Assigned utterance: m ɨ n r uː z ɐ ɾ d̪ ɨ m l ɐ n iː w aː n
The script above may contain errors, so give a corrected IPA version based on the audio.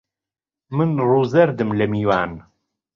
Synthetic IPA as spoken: m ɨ n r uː z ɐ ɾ d̪ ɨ m l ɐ m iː w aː n